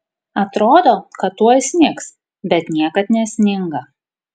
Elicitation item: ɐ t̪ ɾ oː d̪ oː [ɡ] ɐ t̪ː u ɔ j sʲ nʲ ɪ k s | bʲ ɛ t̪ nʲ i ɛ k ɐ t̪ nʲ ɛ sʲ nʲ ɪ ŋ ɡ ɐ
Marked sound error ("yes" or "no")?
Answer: yes